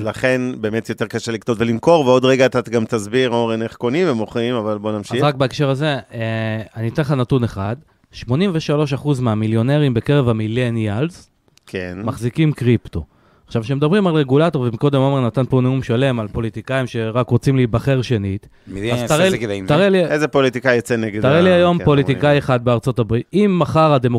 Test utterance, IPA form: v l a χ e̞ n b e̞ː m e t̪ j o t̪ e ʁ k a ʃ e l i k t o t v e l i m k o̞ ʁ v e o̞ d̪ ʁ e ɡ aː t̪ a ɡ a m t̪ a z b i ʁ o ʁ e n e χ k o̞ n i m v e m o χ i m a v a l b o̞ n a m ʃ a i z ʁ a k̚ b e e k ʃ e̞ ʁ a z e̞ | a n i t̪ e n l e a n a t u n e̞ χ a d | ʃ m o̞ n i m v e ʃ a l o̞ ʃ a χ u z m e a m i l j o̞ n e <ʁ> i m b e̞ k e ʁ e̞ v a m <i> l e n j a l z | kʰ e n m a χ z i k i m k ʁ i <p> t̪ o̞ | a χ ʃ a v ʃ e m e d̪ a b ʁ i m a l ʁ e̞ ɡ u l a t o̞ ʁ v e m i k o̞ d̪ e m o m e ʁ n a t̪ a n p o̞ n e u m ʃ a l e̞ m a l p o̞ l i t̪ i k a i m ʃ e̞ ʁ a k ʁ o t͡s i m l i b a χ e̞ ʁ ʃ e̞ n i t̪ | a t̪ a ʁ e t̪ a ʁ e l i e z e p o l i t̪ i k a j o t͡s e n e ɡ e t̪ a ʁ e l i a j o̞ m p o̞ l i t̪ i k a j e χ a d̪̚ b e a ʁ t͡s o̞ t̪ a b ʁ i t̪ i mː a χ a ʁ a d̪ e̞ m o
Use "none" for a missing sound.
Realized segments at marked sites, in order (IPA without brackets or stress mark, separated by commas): ʁ, i, p